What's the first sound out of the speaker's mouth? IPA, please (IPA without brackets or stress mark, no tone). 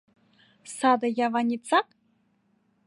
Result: s